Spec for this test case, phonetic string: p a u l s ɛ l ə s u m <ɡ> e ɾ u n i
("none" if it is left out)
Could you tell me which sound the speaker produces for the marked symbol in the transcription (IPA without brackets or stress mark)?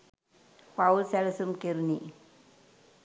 k